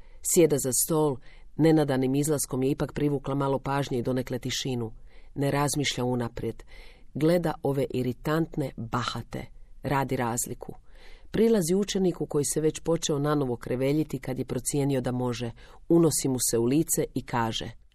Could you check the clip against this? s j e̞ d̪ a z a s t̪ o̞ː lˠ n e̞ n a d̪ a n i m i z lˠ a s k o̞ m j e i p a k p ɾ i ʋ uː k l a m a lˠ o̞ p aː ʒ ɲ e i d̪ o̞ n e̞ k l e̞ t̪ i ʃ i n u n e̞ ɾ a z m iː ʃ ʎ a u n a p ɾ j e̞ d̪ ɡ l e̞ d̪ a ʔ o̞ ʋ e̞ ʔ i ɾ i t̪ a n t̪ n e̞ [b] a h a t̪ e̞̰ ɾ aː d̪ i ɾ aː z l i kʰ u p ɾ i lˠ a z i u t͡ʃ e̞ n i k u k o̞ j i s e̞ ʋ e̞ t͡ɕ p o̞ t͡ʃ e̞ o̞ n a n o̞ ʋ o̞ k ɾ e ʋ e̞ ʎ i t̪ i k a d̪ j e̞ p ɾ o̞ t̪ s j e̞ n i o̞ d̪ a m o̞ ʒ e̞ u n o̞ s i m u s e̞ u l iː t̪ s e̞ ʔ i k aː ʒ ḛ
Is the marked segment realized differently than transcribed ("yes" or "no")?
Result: no